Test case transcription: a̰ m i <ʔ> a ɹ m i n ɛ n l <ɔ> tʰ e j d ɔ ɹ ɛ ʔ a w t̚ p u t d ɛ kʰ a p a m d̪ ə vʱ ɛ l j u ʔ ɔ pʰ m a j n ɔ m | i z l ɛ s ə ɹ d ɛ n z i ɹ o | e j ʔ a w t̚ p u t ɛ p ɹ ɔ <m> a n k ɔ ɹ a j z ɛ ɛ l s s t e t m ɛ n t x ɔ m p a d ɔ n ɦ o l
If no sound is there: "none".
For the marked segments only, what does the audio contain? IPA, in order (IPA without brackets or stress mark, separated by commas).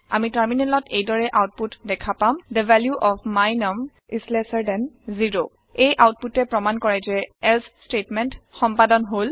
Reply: t, ɔ, m